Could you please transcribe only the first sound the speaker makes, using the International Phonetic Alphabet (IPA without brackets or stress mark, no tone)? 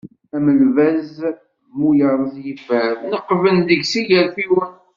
æ